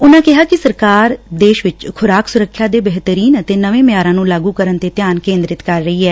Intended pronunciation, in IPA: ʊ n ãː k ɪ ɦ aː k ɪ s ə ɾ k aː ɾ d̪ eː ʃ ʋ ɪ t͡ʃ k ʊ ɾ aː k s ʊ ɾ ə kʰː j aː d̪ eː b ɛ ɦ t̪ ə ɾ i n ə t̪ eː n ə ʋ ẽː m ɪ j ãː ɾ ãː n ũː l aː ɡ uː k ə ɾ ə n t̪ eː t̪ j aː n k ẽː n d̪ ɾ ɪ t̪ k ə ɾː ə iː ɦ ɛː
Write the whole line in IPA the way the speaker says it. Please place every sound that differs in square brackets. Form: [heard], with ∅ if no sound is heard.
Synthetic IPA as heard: ʊ n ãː k ɪ ɦ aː k ɪ s ə ɾ k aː ɾ d̪ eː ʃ ʋ ɪ t͡ʃ [kʰ] ʊ ɾ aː k s ʊ ɾ ə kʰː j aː d̪ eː b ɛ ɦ t̪ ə ɾ [iː] n ə t̪ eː n ə ʋ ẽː m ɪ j [aː] ɾ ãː n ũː l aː ɡ uː k ə ɾ ə n t̪ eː t̪ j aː n k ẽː n d̪ ɾ ɪ t̪ k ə ɾː ə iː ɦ ɛː